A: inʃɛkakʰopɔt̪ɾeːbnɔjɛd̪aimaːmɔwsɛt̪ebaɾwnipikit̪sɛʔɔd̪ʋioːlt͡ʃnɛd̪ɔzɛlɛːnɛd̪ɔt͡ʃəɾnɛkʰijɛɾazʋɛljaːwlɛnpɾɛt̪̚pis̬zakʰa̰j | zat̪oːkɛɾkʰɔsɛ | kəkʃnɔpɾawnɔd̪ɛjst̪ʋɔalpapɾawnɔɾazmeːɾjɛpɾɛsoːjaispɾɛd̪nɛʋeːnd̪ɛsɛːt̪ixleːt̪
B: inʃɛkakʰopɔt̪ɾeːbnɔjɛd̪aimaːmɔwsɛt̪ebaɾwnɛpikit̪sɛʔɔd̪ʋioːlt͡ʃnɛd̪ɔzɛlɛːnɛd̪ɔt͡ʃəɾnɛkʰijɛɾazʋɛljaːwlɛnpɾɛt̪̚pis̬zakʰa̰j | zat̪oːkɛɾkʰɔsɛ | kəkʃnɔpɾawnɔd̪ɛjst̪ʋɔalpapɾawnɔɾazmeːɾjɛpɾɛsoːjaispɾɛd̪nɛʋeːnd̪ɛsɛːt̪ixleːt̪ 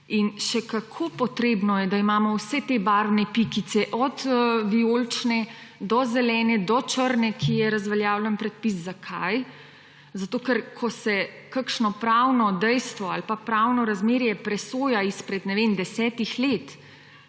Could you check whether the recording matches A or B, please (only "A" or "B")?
B